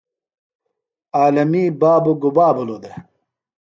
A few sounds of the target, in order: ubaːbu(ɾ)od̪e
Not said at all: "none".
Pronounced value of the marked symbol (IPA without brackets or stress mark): l